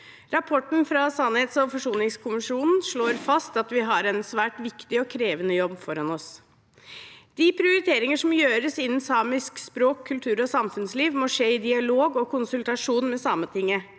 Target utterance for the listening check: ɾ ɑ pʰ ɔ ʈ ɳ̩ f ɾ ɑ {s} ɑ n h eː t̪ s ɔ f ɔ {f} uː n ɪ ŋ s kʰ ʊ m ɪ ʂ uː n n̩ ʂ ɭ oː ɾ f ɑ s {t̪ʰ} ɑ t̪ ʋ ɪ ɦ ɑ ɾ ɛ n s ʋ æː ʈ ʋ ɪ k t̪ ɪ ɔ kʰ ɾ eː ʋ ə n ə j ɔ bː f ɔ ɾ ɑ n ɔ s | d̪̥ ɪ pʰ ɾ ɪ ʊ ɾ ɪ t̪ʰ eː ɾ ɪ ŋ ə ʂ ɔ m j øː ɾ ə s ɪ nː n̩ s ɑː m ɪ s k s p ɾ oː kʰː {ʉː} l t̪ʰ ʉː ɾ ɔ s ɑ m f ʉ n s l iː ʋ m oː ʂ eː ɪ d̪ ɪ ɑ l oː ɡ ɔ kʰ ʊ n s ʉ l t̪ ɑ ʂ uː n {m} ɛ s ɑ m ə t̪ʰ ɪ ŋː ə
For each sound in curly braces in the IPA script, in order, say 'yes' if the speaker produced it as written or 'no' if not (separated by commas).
yes, no, no, no, yes